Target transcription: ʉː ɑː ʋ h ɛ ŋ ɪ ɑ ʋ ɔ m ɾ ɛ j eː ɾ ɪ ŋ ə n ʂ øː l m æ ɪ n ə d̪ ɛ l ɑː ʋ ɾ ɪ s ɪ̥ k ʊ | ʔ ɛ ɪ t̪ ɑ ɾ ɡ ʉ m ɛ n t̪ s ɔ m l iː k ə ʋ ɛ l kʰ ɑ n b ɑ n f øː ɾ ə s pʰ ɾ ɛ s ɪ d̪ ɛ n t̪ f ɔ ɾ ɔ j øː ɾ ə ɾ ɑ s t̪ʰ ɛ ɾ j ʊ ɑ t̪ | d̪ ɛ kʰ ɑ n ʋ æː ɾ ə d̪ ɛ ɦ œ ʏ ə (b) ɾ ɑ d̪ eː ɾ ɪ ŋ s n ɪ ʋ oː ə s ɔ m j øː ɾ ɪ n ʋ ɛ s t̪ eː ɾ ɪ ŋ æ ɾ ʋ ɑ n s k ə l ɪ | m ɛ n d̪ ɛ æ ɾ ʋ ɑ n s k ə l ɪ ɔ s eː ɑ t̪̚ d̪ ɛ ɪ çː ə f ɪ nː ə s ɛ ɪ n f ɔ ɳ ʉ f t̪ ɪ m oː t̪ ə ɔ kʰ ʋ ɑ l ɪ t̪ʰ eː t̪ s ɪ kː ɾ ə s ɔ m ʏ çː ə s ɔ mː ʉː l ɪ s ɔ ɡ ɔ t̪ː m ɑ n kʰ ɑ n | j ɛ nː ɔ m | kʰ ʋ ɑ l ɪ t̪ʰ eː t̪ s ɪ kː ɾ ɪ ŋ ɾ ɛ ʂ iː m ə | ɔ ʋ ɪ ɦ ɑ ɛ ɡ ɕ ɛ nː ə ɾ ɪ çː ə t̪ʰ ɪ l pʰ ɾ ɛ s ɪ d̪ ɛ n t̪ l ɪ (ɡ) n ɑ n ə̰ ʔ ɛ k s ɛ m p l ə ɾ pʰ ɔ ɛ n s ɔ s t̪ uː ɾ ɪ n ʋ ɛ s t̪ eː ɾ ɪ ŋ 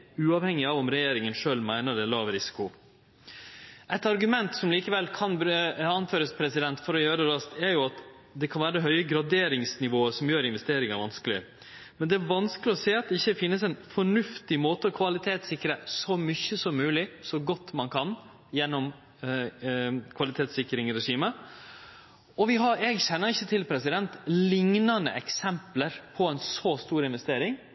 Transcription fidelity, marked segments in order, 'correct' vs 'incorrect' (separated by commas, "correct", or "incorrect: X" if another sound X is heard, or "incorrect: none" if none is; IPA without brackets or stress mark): incorrect: ɡ, incorrect: ŋ